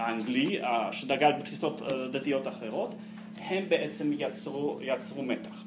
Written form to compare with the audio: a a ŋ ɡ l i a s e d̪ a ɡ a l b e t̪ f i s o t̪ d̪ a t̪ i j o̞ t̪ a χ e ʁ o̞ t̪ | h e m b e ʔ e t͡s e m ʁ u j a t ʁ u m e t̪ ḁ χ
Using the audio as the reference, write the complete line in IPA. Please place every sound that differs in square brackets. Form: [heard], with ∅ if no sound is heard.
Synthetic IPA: a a ŋ ɡ l i a [ʃ] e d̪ a ɡ a l b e t̪ f i s o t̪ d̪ a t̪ i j o̞ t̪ a χ e ʁ o̞ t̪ | h e m b e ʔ e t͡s e m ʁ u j a [t͡s] ʁ u m e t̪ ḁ χ